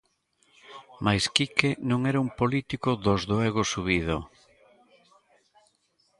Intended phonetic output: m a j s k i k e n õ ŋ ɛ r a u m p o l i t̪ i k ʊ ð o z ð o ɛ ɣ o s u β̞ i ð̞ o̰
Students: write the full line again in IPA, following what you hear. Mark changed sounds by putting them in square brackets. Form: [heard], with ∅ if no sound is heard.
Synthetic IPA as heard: m a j s k i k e n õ ŋ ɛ [ɾ] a u m p o l i t̪ i k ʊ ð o z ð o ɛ ɣ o s u β̞ i ð̞ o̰